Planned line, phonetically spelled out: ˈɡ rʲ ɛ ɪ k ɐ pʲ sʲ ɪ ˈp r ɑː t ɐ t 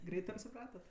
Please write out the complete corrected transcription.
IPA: ˈɡ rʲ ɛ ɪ t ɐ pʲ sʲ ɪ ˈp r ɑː t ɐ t